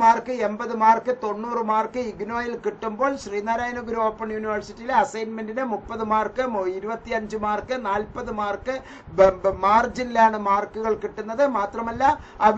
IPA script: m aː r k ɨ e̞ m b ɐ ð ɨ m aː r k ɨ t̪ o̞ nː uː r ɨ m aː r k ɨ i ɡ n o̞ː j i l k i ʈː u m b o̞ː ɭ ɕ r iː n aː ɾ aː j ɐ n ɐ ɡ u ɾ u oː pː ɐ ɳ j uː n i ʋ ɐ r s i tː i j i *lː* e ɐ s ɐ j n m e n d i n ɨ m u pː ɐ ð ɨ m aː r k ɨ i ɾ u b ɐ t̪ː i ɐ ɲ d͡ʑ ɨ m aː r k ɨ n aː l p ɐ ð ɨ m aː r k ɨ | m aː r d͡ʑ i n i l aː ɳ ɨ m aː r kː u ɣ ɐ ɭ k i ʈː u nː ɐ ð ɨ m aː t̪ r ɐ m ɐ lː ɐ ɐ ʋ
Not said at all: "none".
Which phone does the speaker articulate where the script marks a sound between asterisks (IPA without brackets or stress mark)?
l